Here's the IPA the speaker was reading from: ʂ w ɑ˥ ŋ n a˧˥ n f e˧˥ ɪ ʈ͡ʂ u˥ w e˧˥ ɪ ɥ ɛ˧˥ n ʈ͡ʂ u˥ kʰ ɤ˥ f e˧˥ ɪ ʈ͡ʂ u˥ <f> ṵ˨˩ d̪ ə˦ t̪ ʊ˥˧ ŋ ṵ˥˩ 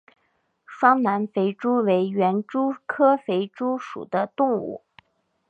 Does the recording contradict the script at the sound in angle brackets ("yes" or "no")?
yes